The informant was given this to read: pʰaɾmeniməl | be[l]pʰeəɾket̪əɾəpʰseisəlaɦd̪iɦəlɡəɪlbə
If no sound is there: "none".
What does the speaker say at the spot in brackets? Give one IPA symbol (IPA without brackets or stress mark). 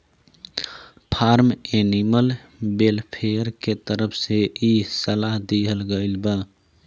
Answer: l